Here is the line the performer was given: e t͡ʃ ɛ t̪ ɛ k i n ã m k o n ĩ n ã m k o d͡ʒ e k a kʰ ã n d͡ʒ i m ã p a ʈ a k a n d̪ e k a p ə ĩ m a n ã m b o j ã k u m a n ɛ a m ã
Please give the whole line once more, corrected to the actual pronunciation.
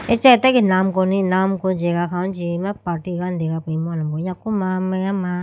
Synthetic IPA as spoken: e t͡ʃ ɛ t̪ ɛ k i n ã m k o n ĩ n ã m k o d͡ʒ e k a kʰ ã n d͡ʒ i m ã p a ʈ i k a n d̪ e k a p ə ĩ m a n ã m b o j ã k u m a m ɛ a m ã